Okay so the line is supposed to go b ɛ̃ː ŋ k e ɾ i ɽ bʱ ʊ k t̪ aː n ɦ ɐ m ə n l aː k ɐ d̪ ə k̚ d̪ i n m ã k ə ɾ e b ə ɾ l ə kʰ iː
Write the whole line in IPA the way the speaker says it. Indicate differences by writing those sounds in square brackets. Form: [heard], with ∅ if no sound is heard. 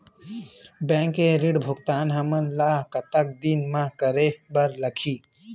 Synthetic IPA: b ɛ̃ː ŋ k e ɾ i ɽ bʱ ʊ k t̪ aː n ɦ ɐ m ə n l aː k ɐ [t̪] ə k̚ d̪ i n m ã k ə ɾ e b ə ɾ l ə kʰ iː